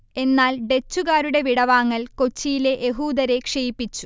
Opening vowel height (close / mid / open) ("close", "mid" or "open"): mid